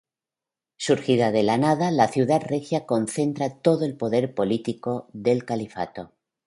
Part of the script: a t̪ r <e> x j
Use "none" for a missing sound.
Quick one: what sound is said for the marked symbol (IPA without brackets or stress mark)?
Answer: e